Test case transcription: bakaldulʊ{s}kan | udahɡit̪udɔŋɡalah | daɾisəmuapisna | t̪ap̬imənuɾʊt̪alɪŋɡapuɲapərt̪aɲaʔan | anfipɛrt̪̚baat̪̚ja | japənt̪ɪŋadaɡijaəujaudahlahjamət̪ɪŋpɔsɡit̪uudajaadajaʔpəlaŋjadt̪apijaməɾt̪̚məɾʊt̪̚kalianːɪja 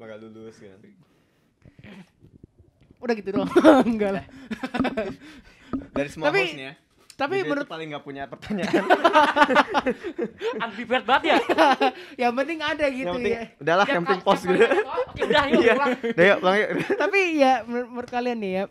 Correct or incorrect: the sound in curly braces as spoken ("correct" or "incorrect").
correct